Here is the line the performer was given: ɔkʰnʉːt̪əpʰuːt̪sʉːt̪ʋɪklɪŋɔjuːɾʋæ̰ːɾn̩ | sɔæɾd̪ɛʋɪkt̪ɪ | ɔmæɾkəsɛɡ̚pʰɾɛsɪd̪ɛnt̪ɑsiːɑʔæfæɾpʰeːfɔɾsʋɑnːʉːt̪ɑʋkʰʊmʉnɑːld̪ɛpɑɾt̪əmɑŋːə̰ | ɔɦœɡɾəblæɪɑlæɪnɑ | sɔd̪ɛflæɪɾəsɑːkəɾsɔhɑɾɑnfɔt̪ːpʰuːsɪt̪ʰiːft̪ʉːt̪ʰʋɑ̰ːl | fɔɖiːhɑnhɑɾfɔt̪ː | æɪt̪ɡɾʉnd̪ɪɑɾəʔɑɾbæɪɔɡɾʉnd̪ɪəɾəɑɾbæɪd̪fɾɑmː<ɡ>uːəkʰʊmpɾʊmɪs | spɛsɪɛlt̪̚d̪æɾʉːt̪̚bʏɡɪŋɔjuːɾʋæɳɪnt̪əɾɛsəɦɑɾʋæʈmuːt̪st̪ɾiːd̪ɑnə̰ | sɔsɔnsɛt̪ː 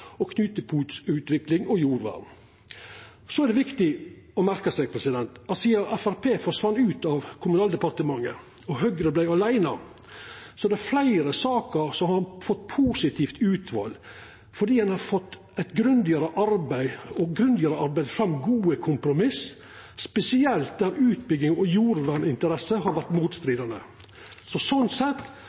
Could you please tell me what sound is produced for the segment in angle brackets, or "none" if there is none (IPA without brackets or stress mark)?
ɡ